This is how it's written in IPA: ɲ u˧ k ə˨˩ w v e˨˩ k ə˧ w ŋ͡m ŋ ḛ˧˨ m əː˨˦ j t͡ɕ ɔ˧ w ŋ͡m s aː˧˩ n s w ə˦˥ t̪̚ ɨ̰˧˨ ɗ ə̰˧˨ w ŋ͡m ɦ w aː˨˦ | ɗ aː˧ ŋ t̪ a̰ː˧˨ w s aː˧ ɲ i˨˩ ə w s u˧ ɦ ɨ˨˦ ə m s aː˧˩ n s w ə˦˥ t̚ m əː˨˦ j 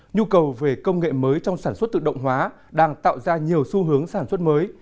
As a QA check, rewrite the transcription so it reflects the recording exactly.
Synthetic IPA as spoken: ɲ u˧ k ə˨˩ w v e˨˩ k ə˧ w ŋ͡m ŋ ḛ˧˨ m əː˨˦ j t͡ɕ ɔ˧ w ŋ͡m s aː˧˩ n s w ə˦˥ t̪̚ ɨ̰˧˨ ɗ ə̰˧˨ w ŋ͡m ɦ w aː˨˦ | ɗ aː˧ ŋ t̪ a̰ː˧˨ w z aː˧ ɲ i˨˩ ə w s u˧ ɦ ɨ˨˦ ə ŋ s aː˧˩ n s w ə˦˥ t̚ m əː˨˦ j